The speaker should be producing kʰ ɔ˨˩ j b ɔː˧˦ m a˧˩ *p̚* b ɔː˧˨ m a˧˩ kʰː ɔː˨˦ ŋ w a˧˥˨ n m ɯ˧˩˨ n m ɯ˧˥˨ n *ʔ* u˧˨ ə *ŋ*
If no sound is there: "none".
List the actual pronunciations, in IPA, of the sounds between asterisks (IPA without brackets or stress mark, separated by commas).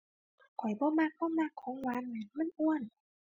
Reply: k̚, ʔ, n